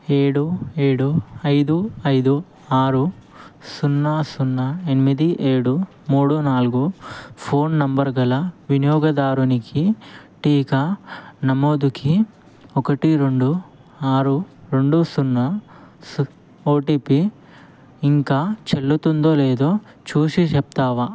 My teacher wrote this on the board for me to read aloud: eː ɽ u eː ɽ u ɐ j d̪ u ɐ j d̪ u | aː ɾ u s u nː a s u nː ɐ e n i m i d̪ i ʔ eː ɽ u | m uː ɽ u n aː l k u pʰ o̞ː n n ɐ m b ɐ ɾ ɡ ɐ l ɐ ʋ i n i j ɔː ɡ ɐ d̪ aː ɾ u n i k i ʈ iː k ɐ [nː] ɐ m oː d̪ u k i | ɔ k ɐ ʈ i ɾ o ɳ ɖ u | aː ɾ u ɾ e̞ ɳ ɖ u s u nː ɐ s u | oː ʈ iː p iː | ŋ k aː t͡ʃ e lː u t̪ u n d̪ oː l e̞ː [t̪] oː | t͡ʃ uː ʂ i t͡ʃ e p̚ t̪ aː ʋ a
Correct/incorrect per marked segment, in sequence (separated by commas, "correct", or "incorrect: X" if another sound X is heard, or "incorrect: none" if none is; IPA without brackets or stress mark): incorrect: n, incorrect: d̪